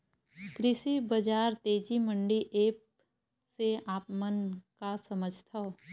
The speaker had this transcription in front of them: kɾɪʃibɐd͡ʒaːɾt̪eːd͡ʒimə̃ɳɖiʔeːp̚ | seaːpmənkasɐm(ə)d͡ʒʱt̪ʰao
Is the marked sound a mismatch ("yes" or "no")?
no